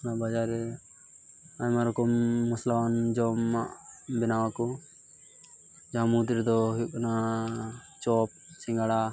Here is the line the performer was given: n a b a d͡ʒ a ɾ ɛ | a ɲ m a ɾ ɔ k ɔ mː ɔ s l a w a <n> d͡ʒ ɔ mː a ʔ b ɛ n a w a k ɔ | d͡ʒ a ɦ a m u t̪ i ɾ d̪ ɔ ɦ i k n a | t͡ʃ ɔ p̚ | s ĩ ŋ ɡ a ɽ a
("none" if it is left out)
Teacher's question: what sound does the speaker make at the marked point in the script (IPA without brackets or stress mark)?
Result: n